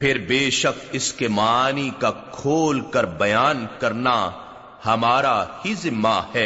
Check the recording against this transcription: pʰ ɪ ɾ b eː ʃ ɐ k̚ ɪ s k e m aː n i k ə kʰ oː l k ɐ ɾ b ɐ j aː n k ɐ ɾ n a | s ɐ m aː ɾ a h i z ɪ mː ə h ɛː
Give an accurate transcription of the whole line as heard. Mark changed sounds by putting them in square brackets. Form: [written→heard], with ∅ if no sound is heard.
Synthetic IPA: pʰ ɪ ɾ b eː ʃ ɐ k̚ ɪ s k e m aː n i k [ə→a] kʰ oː l k ɐ ɾ b ɐ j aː n k ɐ ɾ n a | [s→h] ɐ m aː ɾ a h i z ɪ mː [ə→a] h ɛː